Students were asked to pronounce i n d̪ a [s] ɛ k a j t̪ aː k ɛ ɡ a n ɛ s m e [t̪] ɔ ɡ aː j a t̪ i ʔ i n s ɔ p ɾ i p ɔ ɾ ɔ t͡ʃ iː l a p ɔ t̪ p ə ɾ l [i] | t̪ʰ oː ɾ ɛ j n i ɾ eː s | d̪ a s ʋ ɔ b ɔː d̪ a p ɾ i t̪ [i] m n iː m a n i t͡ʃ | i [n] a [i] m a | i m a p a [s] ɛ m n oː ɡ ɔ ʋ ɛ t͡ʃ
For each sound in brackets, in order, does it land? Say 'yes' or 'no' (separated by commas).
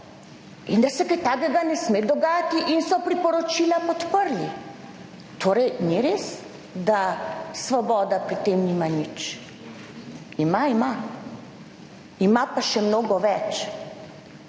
yes, no, yes, no, no, yes, no